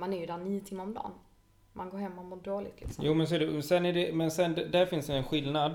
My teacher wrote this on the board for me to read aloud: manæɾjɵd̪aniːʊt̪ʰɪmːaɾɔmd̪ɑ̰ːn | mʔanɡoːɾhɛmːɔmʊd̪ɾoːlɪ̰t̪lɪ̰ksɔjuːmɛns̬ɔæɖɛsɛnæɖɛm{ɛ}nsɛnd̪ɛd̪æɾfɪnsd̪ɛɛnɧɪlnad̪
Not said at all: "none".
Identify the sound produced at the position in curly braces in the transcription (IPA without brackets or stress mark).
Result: ɛ